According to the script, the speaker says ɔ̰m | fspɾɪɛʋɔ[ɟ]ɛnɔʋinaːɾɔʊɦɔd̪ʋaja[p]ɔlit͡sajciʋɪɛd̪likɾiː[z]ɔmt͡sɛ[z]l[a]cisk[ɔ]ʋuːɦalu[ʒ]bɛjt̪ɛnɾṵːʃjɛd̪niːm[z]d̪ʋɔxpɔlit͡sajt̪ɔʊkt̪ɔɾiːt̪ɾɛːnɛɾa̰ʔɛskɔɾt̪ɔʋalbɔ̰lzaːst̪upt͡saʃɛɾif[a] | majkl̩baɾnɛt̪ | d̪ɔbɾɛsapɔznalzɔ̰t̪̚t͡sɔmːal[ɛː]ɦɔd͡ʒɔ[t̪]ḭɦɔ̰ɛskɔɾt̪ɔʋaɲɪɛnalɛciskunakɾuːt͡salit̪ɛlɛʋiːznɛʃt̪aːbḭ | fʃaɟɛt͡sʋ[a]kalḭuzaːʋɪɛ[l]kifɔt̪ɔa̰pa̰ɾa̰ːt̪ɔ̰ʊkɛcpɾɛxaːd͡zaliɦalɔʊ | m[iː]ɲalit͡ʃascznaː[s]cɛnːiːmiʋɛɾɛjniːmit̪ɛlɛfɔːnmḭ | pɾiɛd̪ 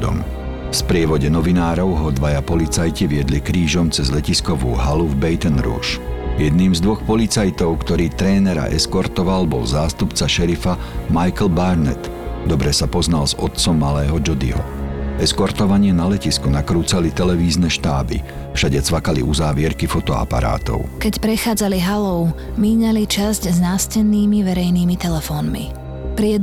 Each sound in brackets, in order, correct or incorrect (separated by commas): correct, correct, incorrect, correct, incorrect, correct, incorrect, correct, correct, correct, incorrect, correct, incorrect, correct, correct